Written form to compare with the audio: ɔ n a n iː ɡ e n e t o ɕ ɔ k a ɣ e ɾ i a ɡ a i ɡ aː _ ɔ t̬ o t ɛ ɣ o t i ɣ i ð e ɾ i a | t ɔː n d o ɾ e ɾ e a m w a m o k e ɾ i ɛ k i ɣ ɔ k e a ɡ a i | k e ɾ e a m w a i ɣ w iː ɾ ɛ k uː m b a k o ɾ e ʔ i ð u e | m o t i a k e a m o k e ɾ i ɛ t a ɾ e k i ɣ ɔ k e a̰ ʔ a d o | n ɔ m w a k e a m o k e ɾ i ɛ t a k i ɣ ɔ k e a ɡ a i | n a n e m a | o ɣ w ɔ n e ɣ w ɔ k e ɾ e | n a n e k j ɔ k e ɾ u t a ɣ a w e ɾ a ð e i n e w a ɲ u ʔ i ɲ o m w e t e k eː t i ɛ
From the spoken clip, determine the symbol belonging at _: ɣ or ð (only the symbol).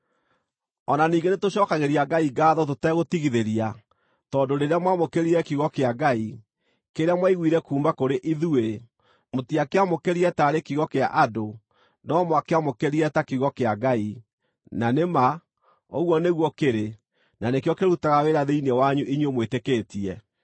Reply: ð